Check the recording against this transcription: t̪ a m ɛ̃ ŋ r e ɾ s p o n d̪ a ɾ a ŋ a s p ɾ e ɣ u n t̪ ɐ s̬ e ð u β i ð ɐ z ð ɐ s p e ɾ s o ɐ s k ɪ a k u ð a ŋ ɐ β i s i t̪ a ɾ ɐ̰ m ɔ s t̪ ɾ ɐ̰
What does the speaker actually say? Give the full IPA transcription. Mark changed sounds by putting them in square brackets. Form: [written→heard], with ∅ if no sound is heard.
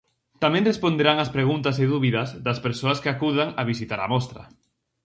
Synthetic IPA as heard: t̪ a m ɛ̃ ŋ r e [ɾ→∅] s p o n d̪ [a→e] ɾ a ŋ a s p ɾ e ɣ u n t̪ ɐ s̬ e ð u β i ð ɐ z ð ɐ s p e ɾ s o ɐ s k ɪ a k u ð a ŋ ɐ β i s i t̪ a ɾ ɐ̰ m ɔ s t̪ ɾ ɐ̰